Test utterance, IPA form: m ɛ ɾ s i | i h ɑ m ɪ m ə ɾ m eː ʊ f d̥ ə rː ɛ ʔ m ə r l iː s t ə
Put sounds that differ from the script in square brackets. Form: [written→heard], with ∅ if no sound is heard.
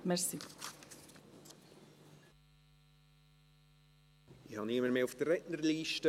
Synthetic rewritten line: m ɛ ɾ s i | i h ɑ [m→n] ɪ m ə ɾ m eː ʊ f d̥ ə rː ɛ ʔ [m→n] ə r l iː [s→ʃ] t ə